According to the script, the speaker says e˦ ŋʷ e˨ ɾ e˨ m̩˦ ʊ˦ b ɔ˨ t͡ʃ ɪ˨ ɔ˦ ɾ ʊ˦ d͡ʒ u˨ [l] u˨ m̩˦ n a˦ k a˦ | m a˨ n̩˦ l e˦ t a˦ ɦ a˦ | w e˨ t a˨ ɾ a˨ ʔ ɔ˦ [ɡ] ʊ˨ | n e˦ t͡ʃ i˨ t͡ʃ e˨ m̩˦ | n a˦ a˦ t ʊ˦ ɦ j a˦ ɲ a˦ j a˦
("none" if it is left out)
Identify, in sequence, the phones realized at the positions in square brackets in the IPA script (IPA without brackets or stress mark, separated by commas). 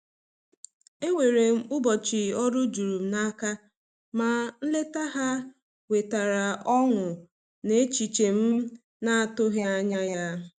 ɾ, ŋ